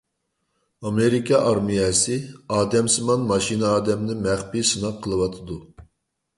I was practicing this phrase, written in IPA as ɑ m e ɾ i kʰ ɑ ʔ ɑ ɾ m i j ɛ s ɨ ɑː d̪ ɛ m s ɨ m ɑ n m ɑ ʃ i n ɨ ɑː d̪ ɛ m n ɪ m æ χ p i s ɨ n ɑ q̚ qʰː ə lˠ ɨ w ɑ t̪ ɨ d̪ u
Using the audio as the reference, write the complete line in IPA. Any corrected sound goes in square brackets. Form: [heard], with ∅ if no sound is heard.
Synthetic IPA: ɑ m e ɾ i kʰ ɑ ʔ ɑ ɾ m i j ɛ s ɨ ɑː d̪ ɛ m s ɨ m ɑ n m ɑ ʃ i n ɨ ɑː d̪ ɛ m n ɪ m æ χ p i s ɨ n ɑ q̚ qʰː ə lˠ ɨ w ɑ [t̪ʰ] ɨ d̪ u